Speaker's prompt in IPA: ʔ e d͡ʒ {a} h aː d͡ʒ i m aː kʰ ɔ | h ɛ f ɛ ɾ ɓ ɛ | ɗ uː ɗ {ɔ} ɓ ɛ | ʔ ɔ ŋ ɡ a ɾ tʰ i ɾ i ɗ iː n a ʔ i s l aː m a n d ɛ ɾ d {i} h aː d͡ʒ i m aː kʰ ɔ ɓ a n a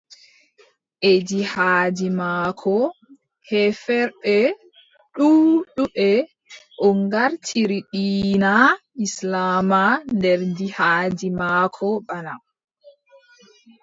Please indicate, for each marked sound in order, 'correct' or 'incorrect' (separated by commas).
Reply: incorrect, incorrect, correct